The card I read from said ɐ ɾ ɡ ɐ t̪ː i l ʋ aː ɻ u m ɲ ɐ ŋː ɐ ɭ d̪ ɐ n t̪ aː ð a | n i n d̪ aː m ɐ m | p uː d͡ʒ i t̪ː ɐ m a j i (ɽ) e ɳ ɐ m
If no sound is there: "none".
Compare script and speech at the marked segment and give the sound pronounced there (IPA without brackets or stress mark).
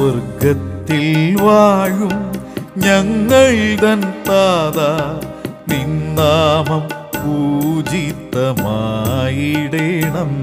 ɽ